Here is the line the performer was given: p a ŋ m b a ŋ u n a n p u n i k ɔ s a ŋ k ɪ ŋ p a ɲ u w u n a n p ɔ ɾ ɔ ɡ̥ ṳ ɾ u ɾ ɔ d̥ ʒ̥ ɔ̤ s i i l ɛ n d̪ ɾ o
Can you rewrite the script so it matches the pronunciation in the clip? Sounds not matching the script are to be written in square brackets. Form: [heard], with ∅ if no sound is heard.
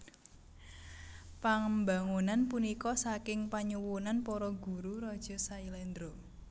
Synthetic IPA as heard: p a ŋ m b a ŋ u n a n p u n i k ɔ s a [∅] k ɪ ŋ p a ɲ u w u n a n p ɔ ɾ ɔ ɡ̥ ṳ ɾ u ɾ ɔ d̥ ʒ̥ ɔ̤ s [a] i l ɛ n d̪ ɾ o